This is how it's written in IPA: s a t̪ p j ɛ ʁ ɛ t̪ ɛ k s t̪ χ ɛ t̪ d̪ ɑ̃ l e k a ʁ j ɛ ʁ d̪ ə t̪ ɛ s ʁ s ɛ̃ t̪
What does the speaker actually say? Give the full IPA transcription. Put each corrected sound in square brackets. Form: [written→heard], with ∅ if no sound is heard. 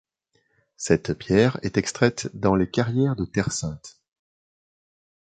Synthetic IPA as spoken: s [a→ɛ] t̪ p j ɛ ʁ ɛ t̪ ɛ k s t̪ χ ɛ t̪ d̪ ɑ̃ l e k a ʁ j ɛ ʁ d̪ ə t̪ ɛ [s→∅] ʁ s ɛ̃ t̪